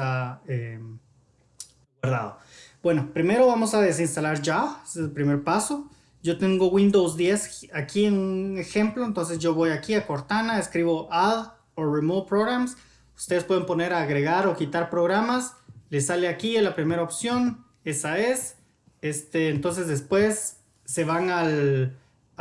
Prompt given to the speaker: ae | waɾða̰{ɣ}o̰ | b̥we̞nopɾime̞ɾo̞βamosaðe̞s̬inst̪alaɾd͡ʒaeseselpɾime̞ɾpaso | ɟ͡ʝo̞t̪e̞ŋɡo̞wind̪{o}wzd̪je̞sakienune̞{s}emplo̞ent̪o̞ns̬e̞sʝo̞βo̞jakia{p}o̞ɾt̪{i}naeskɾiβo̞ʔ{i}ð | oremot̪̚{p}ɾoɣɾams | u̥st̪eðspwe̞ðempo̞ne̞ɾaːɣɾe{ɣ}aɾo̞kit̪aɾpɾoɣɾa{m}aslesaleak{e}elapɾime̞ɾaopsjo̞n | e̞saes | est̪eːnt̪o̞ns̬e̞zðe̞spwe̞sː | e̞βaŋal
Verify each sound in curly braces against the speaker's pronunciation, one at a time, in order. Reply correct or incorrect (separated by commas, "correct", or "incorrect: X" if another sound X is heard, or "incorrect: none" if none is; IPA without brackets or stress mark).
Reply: incorrect: ð, correct, incorrect: x, incorrect: k, incorrect: a, incorrect: a, correct, correct, correct, incorrect: i